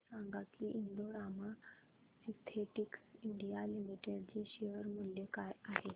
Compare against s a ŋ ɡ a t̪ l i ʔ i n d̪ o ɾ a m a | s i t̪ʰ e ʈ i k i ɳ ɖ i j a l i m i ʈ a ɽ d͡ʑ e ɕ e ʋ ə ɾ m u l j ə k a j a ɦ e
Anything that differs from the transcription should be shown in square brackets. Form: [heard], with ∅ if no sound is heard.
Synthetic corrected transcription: s a ŋ ɡ a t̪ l i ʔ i n d̪ o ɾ a m a | s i t̪ʰ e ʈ i k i ɳ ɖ i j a l i m i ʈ [e] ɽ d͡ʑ e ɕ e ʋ ə ɾ m u l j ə k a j a ɦ e